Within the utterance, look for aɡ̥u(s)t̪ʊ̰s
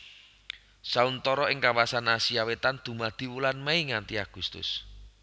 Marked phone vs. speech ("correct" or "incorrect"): correct